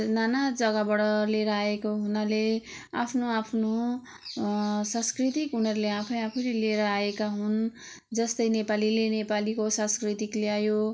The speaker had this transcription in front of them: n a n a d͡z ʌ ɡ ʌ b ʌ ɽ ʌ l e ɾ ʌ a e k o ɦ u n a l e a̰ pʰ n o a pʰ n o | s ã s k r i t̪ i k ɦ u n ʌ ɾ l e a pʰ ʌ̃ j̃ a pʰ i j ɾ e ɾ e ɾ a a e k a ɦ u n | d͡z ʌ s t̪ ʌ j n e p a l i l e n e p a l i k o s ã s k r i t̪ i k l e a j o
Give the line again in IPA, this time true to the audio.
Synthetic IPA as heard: n a n a d͡z ʌ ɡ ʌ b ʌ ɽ ʌ l e ɾ ʌ a e k o ɦ u n a l e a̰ pʰ n o a pʰ n o | s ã s k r i t̪ i k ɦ u n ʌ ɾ l e a pʰ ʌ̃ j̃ a pʰ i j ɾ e l e ɾ ʌ a e k a ɦ u n | d͡z ʌ s t̪ ʌ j n e p a l i l e n e p a l i k o s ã s k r i t̪ i k l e a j o

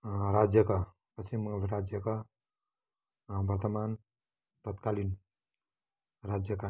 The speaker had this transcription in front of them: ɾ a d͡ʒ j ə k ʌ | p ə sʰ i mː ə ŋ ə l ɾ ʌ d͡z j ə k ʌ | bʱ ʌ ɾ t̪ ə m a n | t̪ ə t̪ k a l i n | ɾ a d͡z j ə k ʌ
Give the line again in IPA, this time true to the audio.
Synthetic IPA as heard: ɾ a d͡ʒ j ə k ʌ | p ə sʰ i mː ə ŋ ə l ɾ a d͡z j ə k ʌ | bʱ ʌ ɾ t̪ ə m a n | t̪ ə t̪ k a l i n | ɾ a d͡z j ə k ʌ

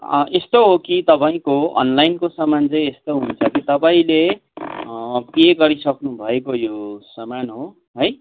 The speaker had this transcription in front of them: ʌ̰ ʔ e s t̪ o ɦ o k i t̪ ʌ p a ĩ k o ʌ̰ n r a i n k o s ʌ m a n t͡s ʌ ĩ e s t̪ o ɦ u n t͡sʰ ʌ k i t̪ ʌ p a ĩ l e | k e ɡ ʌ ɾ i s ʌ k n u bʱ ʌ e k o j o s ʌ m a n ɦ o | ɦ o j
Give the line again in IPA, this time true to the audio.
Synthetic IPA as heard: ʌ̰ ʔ e s t̪ o ɦ o k i t̪ ʌ p a ĩ k o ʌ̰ n l a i n k o s ʌ m a n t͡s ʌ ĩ e s t̪ o ɦ u n t͡sʰ ʌ k i t̪ ʌ p a ĩ l e | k e ɡ ʌ ɾ i s ʌ k n u bʱ ʌ e k o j o s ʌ m a n ɦ o | ɦ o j

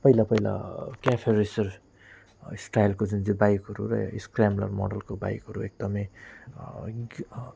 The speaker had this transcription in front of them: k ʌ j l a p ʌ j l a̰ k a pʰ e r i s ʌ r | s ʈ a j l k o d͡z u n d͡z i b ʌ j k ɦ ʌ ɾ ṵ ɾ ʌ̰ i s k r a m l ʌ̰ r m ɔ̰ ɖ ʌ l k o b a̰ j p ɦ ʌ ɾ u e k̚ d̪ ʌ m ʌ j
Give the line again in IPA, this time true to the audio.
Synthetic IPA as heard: p ʌ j l a p ʌ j l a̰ k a pʰ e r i s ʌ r | s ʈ a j l k o d͡z u n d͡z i b a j k ɦ ʌ ɾ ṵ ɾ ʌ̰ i s k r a m l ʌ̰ r m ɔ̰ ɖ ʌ l k o b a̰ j k ɦ ʌ ɾ u e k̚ d̪ ʌ m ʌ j

